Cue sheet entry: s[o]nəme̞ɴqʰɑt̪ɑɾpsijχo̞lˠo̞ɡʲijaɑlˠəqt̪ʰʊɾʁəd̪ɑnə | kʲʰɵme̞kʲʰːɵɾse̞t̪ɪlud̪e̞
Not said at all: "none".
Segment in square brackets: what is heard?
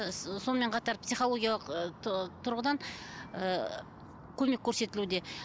o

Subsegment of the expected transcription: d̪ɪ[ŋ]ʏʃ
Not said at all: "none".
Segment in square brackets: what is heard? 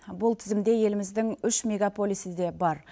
ŋ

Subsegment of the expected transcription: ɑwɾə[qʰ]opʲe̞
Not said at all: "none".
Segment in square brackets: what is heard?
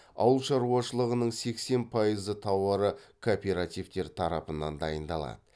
kʰ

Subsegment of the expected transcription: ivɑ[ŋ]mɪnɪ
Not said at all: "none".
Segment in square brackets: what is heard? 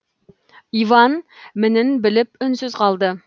n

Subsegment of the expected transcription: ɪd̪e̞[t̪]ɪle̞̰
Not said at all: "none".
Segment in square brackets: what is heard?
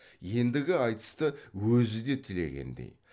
t̪ʰ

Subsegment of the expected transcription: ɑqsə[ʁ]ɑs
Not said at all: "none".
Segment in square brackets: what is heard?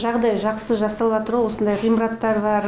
ʒ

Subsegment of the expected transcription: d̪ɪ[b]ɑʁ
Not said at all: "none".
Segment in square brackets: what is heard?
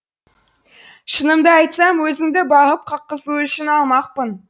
b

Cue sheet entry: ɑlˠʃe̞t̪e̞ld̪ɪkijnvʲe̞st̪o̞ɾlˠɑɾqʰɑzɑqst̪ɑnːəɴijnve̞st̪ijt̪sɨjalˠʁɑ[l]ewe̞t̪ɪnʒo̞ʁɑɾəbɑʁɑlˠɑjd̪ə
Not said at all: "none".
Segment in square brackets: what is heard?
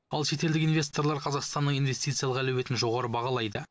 l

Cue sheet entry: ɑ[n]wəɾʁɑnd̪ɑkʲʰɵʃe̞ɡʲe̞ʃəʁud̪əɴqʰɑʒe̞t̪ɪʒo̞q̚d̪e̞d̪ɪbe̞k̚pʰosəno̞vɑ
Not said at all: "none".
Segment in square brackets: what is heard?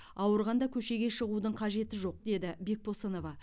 none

